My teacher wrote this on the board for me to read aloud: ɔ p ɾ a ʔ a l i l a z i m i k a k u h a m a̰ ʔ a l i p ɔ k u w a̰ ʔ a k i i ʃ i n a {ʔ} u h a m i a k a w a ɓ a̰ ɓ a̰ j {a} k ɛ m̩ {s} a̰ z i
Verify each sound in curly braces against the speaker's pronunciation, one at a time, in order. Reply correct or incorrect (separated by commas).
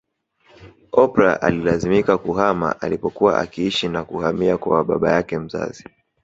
incorrect, correct, incorrect